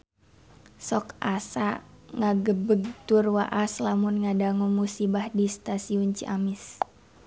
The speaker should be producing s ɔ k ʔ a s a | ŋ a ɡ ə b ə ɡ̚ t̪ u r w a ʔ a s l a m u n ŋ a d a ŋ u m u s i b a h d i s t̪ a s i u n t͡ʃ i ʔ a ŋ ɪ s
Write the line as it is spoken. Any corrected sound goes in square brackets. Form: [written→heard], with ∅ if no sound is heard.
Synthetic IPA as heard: s ɔ k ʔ a s a | ŋ a ɡ ə b ə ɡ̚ t̪ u r w a ʔ a s l a m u n ŋ a d a ŋ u m u s i b a h d i s t̪ a s i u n t͡ʃ i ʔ a [ŋ→m] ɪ s

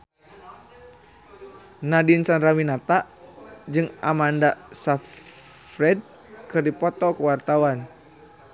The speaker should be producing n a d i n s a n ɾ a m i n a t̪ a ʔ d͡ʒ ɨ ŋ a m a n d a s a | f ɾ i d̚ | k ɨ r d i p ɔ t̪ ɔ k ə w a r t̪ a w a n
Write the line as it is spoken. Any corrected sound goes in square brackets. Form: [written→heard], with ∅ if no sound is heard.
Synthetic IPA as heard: n a d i n s a n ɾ a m i n a t̪ a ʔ d͡ʒ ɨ ŋ a m a n d a s a | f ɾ [i→ɛ] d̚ | k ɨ r d i p ɔ t̪ ɔ k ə w a r t̪ a w a n

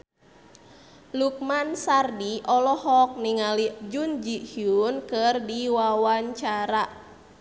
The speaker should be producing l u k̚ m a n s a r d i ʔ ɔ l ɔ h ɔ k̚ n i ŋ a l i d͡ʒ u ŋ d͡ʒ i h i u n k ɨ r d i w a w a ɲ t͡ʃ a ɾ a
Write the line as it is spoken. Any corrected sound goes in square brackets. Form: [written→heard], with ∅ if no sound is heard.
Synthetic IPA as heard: l u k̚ m a n s a r d i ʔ ɔ l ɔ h ɔ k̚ n i ŋ a l i d͡ʒ u [ŋ→n] d͡ʒ i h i u n k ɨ r d i w a w a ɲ t͡ʃ a ɾ a

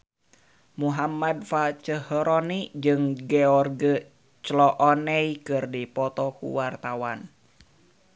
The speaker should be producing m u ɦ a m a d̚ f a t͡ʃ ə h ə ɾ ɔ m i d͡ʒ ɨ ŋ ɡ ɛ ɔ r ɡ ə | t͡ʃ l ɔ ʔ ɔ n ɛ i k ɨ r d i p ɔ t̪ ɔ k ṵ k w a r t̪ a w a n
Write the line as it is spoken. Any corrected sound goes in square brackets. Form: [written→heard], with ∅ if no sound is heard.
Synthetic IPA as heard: m u ɦ a m a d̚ f a t͡ʃ ə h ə ɾ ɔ [m→n] i d͡ʒ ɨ ŋ ɡ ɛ ɔ r ɡ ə | t͡ʃ l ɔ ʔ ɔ n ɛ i k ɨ r d i p ɔ t̪ ɔ k ṵ [k→∅] w a r t̪ a w a n

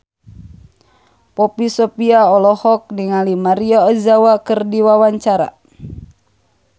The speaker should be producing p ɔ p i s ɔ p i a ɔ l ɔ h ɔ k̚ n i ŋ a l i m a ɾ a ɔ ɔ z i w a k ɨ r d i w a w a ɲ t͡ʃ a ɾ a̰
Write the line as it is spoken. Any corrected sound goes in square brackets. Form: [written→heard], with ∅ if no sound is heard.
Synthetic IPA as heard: p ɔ p i s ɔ p i a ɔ l ɔ h ɔ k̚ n i ŋ a l i m a ɾ [a→i] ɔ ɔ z [i→a] w a k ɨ r d i w a w a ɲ t͡ʃ a ɾ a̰

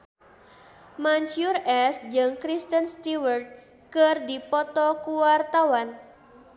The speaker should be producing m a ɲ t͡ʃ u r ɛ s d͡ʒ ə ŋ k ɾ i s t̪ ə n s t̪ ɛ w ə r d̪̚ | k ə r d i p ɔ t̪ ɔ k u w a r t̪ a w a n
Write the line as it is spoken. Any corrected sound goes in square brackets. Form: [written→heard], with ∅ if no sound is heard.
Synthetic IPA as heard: m a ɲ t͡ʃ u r ɛ s d͡ʒ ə ŋ k ɾ i s t̪ ə n s t̪ [ɛ→i] w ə r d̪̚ | k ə r d i p ɔ t̪ ɔ k u w a r t̪ a w a n

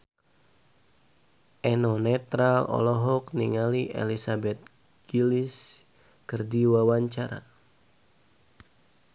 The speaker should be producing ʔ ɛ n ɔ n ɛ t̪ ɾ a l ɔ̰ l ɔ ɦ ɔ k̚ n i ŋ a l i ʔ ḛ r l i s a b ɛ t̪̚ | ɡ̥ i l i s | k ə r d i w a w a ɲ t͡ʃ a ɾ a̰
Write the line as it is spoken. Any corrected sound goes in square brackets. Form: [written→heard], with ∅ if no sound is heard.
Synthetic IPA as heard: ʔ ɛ n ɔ n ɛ t̪ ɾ a l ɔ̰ l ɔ ɦ ɔ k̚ n i ŋ a l i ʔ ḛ [r→∅] l i s a b ɛ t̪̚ | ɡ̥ i l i s | k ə r d i w a w a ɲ t͡ʃ a ɾ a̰

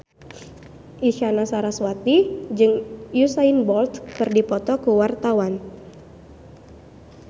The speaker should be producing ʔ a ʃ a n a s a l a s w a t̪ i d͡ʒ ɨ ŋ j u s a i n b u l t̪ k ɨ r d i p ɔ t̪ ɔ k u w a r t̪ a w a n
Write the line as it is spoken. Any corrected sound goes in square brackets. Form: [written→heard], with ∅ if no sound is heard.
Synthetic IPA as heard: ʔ [a→i] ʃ a n a s a [l→ɾ] a s w a t̪ i d͡ʒ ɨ ŋ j u s a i n b [u→ɔ] l t̪ k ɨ r d i p ɔ t̪ ɔ k u w a r t̪ a w a n

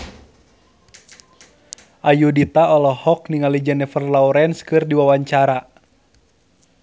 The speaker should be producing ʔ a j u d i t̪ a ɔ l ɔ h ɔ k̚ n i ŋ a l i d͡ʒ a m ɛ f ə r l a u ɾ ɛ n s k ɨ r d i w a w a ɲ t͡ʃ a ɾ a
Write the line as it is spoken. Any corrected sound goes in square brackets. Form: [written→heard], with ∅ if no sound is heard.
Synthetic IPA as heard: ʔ a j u d i t̪ a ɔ l ɔ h ɔ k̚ n i ŋ a l i d͡ʒ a [m→n] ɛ f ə r l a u ɾ ɛ n s k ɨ r d i w a w a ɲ t͡ʃ a ɾ a

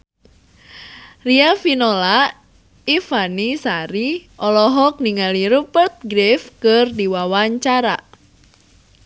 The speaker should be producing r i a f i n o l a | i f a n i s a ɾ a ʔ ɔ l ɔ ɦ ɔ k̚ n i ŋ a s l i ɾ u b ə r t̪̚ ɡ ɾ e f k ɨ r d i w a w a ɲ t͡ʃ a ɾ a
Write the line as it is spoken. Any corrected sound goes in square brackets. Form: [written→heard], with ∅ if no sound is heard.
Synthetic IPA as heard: r i a f i n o l a | i f a n i s a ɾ [a→i] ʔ ɔ l ɔ ɦ ɔ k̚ n i ŋ a [s→∅] l i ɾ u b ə r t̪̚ ɡ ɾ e f k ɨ r d i w a w a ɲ t͡ʃ a ɾ a

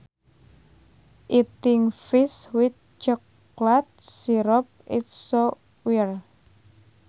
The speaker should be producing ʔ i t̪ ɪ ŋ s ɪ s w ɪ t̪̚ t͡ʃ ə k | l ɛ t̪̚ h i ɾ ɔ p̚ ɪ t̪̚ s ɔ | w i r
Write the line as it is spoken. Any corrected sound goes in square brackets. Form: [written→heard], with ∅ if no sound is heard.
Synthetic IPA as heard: ʔ i t̪ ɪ ŋ [s→f] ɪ s w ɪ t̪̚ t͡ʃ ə k | l [ɛ→a] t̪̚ [h→s] i ɾ ɔ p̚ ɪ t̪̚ s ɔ | w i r

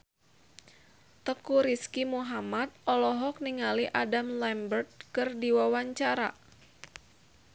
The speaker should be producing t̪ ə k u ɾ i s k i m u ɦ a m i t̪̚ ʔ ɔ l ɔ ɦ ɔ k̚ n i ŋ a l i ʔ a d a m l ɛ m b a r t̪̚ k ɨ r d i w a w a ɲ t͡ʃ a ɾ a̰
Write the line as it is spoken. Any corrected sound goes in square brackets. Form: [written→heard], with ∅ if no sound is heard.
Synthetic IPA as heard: t̪ ə k u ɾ i s k i m u ɦ a m [i→a] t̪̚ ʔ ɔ l ɔ ɦ ɔ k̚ n i ŋ a l i ʔ a d a m l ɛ m b [a→ə] r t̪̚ k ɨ r d i w a w a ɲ t͡ʃ a ɾ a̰

